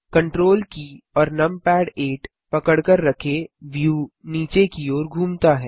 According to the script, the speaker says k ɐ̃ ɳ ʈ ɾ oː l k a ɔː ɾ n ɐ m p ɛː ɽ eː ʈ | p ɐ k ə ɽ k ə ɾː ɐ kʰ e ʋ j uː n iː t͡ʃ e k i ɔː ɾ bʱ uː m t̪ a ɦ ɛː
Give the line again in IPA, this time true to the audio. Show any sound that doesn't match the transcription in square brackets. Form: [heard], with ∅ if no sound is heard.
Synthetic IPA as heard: k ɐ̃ ɳ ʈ ɾ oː l k [i] ɔː ɾ n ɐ m p ɛː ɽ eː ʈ | p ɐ k ə ɽ k ə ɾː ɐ kʰ e ʋ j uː n iː t͡ʃ e k i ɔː ɾ [ɡʱ] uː m t̪ a ɦ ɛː